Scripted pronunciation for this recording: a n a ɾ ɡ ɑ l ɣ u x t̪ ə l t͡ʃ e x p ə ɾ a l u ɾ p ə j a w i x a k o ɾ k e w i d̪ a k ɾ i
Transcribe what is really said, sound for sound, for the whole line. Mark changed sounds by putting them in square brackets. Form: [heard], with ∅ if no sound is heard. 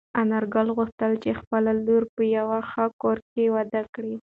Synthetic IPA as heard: a n a ɾ ɡ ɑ l ɣ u x t̪ ə l t͡ʃ e x p ə [l] a l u ɾ p ə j a w [a] x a k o ɾ k e w [a] d̪ a k [ɽ] i